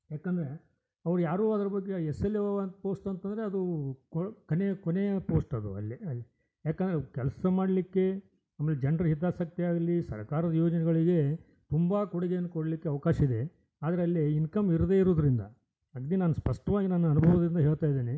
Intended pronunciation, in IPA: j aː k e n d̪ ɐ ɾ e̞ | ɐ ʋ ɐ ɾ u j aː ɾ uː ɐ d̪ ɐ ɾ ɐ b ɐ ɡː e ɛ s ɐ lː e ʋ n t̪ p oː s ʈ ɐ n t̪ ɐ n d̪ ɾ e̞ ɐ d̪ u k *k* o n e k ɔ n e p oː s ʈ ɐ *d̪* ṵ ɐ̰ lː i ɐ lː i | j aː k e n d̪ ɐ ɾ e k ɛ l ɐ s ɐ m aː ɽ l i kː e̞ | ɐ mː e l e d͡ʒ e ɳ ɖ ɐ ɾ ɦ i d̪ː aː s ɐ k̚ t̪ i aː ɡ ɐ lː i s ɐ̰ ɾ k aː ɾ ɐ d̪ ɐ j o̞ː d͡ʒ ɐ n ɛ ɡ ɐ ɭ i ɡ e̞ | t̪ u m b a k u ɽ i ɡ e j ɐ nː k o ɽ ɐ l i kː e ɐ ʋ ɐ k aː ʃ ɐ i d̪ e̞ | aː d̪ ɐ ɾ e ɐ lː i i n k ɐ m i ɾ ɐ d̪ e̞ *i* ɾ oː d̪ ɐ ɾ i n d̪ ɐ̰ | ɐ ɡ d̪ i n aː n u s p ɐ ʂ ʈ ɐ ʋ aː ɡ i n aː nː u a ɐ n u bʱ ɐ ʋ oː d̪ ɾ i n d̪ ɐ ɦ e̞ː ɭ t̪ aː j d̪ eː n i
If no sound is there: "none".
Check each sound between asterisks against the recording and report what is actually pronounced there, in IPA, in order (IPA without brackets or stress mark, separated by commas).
k, d̪, i